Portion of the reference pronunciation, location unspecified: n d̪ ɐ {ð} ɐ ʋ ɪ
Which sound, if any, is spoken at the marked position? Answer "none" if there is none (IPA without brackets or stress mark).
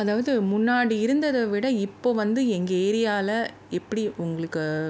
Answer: ð